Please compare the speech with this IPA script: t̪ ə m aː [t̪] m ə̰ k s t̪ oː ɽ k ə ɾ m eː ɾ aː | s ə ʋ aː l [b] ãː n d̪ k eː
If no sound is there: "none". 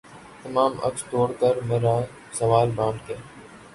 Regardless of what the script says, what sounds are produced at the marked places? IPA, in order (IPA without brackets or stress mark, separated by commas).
none, b